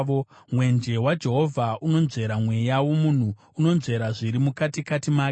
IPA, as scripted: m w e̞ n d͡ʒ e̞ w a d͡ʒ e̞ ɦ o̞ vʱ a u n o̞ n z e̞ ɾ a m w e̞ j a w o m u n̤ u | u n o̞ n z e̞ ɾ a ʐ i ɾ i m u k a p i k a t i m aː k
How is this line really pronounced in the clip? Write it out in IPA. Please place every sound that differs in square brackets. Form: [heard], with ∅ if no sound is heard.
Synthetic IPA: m w e̞ n d͡ʒ e̞ w a d͡ʒ e̞ ɦ o̞ vʱ a u n o̞ n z e̞ ɾ a m w e̞ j a w o m u n̤ u | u n o̞ n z e̞ ɾ a ʐ i ɾ i m u k a [t] i k a t i m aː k